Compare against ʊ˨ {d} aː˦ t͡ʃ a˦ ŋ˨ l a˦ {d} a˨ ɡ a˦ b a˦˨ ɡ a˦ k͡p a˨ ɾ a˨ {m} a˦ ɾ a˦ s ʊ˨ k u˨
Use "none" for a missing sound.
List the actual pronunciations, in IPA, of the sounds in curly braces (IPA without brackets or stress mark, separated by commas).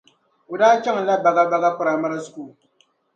d, b, m